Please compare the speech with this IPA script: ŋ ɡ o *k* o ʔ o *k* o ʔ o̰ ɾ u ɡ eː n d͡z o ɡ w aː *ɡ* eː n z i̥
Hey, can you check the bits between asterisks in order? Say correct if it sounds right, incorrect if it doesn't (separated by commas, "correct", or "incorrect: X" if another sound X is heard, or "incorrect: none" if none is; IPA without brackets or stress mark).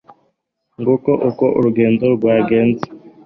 correct, correct, correct